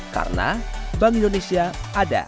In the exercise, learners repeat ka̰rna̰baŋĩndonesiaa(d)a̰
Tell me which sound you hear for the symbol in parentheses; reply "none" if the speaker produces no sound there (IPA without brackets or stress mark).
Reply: d